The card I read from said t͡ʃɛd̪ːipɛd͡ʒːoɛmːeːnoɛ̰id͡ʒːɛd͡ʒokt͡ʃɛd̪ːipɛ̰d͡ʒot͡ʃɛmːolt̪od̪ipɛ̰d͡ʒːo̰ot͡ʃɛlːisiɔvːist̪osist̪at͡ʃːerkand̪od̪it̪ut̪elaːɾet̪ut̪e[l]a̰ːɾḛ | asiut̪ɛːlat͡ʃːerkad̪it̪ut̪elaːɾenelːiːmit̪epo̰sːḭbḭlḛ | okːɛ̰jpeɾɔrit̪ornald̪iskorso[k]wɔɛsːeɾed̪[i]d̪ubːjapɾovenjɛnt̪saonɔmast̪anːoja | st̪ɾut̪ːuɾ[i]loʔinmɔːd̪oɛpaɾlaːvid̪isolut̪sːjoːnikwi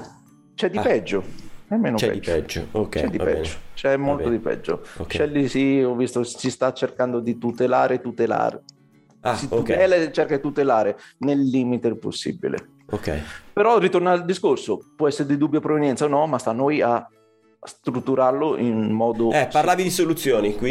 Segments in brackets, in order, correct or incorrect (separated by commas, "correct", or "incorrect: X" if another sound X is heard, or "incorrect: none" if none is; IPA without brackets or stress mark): correct, incorrect: p, correct, incorrect: a